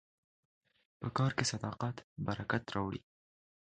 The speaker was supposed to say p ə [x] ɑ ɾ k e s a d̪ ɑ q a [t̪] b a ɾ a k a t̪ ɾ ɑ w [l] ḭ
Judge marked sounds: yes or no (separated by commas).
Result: no, yes, no